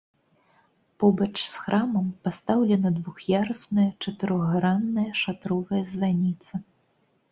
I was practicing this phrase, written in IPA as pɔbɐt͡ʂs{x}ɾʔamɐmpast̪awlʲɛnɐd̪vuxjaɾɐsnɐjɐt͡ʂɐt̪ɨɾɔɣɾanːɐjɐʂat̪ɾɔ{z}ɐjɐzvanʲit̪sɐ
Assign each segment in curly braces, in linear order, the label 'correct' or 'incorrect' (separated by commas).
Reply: correct, incorrect